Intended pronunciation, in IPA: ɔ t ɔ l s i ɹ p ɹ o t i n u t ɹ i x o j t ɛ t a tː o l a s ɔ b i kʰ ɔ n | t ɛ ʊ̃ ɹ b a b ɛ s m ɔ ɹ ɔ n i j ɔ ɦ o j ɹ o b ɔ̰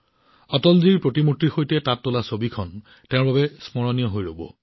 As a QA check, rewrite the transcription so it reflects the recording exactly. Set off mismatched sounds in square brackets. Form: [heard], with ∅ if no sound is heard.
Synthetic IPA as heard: ɔ t ɔ l [z] i ɹ p ɹ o t i [m] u t ɹ i x o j t ɛ t a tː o l a s [o] b i kʰ ɔ n | t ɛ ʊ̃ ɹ b a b ɛ s m ɔ ɹ ɔ n i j ɔ ɦ o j ɹ o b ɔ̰